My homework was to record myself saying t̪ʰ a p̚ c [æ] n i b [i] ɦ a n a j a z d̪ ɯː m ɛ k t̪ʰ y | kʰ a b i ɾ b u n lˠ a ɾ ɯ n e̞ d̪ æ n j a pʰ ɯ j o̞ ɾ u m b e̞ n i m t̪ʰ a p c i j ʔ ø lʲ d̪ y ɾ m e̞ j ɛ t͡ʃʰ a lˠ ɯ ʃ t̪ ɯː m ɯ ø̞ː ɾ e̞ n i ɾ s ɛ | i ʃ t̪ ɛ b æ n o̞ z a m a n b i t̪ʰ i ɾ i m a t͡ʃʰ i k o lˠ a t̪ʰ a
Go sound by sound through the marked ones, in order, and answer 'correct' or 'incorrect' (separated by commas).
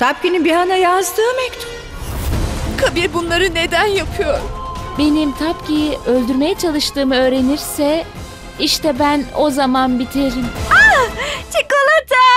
incorrect, correct